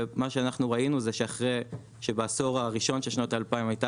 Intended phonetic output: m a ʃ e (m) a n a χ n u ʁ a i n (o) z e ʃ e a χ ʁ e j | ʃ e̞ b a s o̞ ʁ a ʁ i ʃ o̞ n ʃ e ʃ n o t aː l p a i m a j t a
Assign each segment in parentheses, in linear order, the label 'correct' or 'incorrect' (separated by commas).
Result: incorrect, incorrect